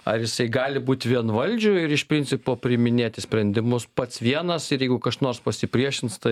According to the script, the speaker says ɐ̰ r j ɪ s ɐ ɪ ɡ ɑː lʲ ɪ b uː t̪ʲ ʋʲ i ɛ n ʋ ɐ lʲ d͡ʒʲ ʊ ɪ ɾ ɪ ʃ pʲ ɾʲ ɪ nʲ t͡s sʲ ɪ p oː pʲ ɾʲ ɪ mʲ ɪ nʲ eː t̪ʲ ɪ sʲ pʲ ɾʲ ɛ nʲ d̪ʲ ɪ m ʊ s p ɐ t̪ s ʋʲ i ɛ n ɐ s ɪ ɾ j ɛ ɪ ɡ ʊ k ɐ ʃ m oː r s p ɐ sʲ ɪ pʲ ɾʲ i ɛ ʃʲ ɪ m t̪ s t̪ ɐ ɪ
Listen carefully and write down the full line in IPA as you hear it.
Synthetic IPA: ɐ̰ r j ɪ s ɐ ɪ ɡ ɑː lʲ ɪ b uː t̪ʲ ʋʲ i ɛ n ʋ ɐ lʲ d͡ʒʲ ʊ ɪ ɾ ɪ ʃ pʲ ɾʲ ɪ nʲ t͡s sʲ ɪ p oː pʲ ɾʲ ɪ mʲ ɪ nʲ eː t̪ʲ ɪ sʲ pʲ ɾʲ ɛ nʲ d̪ʲ ɪ m ʊ s p ɐ t̪ s ʋʲ i ɛ n ɐ s ɪ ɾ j ɛ ɪ ɡ ʊ k ɐ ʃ n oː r s p ɐ sʲ ɪ pʲ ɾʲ i ɛ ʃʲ ɪ n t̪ s t̪ ɐ ɪ